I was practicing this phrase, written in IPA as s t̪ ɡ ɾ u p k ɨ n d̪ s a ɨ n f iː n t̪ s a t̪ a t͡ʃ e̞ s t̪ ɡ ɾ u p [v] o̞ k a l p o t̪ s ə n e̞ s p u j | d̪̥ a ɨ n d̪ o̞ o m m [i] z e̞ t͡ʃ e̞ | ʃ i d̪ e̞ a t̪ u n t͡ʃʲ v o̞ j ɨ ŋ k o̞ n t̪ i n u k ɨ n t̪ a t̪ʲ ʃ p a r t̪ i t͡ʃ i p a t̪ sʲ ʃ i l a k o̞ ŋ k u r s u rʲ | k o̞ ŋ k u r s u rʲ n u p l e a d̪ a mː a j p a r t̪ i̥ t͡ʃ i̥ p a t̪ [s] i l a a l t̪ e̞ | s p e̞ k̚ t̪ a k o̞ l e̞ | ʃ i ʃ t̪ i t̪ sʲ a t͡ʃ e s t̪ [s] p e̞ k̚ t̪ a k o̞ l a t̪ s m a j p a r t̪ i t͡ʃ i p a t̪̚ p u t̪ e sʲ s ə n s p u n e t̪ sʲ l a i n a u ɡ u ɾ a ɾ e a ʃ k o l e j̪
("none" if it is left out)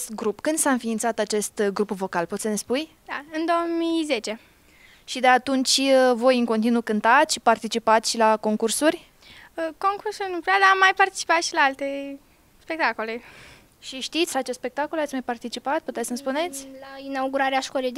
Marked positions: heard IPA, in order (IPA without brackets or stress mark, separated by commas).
v, i, ʃ, s